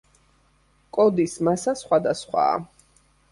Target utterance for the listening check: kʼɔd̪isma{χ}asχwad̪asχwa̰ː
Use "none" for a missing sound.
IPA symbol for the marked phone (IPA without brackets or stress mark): s